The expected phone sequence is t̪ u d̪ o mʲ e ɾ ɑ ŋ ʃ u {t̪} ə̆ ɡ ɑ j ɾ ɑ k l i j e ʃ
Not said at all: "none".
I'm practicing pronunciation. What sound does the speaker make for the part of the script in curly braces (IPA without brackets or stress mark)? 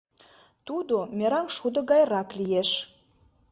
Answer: d̪